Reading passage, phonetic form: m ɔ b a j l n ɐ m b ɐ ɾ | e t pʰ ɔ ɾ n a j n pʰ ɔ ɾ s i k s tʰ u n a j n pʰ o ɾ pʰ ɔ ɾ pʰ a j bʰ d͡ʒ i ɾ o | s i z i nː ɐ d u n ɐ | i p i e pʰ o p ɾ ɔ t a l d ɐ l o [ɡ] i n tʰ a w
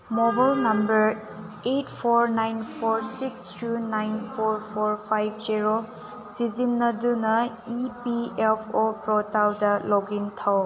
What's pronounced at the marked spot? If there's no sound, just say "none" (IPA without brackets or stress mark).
ɡ